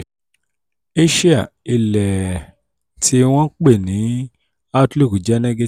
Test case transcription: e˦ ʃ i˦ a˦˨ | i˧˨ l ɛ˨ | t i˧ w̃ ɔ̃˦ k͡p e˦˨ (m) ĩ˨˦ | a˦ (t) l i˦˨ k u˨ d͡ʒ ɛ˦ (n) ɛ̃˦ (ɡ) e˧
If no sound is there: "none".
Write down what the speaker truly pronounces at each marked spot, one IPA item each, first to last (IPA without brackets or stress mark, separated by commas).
n, t, n, ɡ